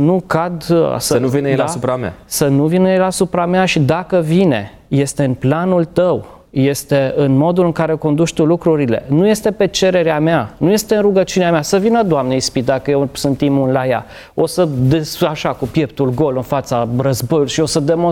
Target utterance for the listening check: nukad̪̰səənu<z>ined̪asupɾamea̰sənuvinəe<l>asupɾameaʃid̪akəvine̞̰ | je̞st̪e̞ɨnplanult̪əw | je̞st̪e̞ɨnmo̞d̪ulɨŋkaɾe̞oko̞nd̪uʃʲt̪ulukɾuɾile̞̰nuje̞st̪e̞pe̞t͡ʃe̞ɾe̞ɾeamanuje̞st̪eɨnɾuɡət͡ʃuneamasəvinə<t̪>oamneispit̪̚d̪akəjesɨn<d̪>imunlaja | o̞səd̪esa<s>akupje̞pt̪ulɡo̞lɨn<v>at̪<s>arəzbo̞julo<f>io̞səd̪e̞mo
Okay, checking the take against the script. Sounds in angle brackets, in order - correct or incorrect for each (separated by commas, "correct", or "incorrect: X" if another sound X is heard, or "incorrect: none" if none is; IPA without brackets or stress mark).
incorrect: v, correct, incorrect: d̪, incorrect: t̪, incorrect: ʃ, incorrect: f, correct, incorrect: ʃ